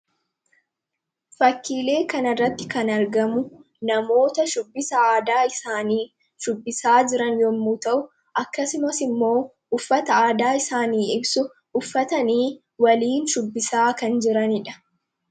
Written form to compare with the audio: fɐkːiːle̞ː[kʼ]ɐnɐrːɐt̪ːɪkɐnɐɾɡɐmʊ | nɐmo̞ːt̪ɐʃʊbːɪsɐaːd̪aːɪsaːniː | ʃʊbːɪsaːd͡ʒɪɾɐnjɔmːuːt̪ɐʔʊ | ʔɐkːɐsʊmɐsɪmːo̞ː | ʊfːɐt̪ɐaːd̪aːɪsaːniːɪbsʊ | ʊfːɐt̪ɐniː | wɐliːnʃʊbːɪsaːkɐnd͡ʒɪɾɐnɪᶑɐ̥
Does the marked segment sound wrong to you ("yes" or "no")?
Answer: yes